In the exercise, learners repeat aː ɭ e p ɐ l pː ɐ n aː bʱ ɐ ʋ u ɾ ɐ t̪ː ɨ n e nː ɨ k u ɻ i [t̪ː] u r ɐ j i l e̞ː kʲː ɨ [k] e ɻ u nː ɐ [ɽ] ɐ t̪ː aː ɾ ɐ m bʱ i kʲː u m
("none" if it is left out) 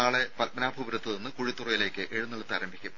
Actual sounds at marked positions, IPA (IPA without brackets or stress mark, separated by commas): t̪ː, ʔ, ɭ